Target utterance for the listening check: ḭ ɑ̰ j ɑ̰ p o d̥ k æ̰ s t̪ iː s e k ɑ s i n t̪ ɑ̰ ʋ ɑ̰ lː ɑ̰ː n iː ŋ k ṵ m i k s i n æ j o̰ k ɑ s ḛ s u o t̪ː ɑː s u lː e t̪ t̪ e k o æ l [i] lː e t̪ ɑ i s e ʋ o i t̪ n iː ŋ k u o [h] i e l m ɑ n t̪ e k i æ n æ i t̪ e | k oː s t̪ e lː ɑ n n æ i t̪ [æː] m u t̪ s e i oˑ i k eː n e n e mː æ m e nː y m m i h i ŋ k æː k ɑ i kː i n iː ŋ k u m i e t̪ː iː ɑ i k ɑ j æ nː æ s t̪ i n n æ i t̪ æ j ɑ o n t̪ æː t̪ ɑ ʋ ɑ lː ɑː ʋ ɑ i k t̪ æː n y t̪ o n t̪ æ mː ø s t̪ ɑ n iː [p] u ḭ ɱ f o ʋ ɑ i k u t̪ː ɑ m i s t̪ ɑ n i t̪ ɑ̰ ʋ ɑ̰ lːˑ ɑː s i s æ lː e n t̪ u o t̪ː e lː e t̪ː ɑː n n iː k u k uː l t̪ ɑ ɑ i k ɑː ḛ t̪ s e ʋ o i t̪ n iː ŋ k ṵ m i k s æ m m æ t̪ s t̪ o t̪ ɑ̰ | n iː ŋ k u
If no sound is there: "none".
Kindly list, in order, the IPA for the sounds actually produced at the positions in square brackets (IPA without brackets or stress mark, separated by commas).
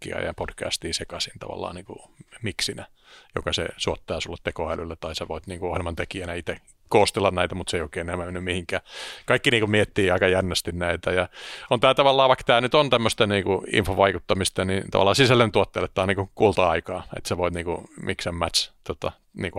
y, h, æ, k